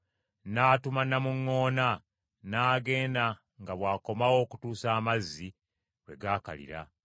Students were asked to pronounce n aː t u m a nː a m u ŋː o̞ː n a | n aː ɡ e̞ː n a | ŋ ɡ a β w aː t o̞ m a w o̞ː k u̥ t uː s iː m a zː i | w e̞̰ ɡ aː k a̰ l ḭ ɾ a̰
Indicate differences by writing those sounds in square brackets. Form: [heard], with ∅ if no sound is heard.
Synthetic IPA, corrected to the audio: n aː t u m a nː a m u ŋː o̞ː n a | n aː ɡ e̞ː n a | ŋ ɡ a β w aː [k] o̞ m a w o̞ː k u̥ t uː s [aː] m a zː i | w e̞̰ ɡ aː k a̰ l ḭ ɾ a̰

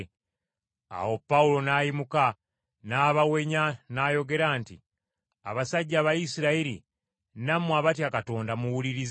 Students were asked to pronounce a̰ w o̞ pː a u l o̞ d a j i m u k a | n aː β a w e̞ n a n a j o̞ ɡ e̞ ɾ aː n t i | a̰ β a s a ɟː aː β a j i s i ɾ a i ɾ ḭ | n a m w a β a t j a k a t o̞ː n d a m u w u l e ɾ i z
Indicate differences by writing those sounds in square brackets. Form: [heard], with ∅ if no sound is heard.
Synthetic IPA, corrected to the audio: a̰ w o̞ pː a u l o̞ [n] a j i m u k a | n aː β a w e̞ [ɲ] a n a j o̞ ɡ e̞ ɾ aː n t i | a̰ β a s a ɟː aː β a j i s i ɾ a i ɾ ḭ | n a m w a β a t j a k a t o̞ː n d a m u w u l [i] ɾ i z

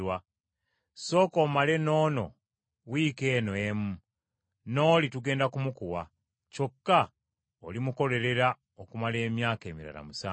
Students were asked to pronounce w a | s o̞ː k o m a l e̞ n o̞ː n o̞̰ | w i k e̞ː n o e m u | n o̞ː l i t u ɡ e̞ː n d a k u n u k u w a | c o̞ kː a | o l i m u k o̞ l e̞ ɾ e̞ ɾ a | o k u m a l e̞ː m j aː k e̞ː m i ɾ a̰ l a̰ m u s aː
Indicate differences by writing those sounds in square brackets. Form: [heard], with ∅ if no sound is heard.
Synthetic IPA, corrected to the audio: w a | s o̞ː k o m a l e̞ n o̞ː n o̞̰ | w i k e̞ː n o e m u | n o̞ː l i t u ɡ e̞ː n d a k u [m] u k u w a | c o̞ kː a | o l i m u k o̞ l e̞ ɾ e̞ ɾ a | o k u m a l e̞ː m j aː k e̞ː m i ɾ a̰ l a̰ m u s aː

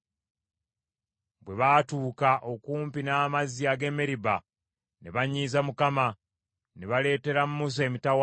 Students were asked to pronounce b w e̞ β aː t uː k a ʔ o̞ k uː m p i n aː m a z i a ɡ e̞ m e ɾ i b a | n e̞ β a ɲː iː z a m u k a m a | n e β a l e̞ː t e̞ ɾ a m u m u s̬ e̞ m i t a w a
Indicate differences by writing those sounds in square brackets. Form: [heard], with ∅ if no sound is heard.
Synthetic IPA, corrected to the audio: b w e̞ β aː t uː k a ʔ o̞ k uː m p i n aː m a z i a ɡ e̞ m e ɾ i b a | n e̞ β a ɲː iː z a m u k a m a | n e β a l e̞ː t e̞ ɾ a m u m u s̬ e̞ m i t a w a

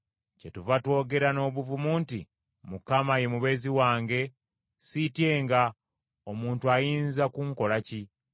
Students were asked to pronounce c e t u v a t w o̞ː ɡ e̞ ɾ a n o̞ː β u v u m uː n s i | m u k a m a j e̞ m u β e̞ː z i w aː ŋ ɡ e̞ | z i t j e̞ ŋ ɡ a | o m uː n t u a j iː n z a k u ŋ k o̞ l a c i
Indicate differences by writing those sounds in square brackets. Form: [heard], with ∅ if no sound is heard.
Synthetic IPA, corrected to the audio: c e t u v a t w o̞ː ɡ e̞ ɾ a n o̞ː β u v u m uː n [t] i | m u k a m a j e̞ m u β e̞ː z i w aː ŋ ɡ e̞ | [s] i t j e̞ ŋ ɡ a | o m uː n t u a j iː n z a k u ŋ k o̞ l a c i

